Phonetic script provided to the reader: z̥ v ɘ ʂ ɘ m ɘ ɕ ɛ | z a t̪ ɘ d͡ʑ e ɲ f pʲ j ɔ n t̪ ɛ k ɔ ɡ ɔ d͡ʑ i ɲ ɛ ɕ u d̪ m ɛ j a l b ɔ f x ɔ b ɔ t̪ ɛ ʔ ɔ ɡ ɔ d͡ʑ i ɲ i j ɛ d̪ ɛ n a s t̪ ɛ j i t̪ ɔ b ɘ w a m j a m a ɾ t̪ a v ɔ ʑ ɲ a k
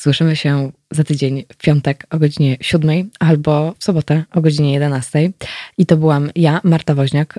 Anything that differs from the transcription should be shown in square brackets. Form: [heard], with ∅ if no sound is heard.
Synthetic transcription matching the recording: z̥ [w] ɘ ʂ ɘ m ɘ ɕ ɛ | z a t̪ ɘ d͡ʑ e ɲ f pʲ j ɔ n t̪ ɛ k ɔ ɡ ɔ d͡ʑ i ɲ ɛ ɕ u d̪ m ɛ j a l b ɔ f [s] ɔ b ɔ t̪ ɛ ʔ ɔ ɡ ɔ d͡ʑ i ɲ [ɛ] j ɛ d̪ ɛ n a s t̪ ɛ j i t̪ ɔ b ɘ w a m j a m a ɾ t̪ a v ɔ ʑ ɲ a k